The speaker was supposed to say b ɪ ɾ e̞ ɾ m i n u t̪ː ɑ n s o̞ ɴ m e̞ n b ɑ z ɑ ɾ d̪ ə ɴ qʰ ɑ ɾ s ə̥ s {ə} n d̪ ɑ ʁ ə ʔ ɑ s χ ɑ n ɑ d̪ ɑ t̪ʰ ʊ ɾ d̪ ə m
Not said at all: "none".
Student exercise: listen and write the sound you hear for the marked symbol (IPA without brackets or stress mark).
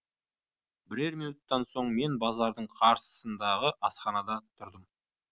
ə